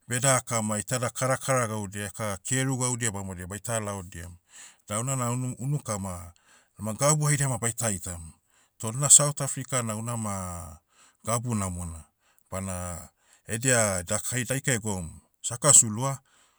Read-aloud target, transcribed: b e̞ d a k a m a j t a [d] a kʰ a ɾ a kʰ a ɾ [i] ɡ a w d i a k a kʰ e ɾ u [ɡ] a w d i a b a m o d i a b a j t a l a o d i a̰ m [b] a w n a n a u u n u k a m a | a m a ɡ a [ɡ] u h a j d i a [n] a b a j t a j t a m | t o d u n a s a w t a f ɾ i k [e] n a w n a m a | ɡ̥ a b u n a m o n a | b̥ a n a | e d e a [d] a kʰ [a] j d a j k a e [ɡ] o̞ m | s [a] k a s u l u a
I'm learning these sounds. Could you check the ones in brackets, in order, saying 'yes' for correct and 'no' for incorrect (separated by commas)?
yes, no, yes, no, no, no, no, yes, yes, yes, yes